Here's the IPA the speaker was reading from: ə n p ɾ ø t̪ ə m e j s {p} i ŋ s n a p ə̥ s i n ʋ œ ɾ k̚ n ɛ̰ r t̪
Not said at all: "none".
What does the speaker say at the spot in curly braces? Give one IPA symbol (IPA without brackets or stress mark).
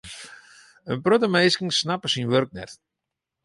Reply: k